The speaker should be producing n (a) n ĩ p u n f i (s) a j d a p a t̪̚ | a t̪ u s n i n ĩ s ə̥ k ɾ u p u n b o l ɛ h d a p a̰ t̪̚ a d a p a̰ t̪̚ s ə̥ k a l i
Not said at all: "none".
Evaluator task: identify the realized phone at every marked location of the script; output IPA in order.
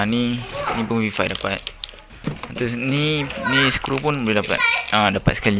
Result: i, f

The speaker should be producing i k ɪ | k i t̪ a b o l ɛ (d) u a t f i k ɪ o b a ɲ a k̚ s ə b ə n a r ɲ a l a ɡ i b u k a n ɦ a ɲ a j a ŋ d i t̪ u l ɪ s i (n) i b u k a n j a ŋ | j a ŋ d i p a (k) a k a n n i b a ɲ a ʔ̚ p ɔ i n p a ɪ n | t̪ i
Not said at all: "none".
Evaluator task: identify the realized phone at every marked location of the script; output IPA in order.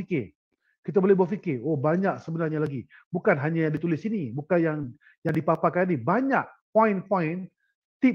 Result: b, n, p

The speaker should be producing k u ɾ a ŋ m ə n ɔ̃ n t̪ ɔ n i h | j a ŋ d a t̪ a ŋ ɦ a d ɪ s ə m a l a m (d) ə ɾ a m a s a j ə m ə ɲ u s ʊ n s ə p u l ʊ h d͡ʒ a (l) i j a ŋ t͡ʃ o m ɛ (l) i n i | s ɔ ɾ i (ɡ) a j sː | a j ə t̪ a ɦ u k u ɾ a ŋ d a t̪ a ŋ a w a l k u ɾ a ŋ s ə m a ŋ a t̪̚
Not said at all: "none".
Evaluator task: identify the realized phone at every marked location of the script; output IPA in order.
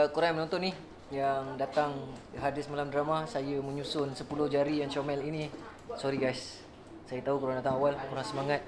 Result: d, ɾ, l, ɡ

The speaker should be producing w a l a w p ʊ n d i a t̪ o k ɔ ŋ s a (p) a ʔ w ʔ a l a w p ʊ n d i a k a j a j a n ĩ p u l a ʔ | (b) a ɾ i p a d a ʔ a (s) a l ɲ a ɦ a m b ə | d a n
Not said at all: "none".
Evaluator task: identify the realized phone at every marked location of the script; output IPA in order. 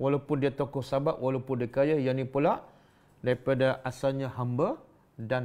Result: b, d, s

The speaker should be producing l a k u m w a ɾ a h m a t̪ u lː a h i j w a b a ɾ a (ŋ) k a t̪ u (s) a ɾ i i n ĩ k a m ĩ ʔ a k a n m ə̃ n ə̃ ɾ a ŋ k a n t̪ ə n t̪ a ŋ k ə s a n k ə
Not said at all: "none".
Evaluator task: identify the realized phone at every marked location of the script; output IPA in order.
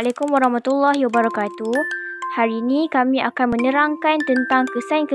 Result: none, h

